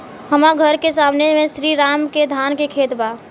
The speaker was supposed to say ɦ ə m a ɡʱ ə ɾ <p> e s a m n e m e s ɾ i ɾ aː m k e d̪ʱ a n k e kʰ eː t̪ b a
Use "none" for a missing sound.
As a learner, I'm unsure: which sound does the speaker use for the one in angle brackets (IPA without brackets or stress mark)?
k